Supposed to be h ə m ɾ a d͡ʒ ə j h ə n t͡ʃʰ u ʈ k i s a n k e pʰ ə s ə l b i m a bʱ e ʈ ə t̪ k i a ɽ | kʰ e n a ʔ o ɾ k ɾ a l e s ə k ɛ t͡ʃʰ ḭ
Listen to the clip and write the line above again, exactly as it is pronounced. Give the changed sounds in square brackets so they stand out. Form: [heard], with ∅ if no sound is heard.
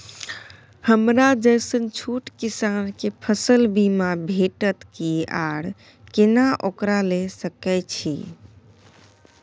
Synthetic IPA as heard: h ə m ɾ a d͡ʒ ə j [s] ə n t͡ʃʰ u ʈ k i s a n k e pʰ ə s ə l b i m a bʱ e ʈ ə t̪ k i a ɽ | [k] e n a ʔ o [∅] k ɾ a l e s ə k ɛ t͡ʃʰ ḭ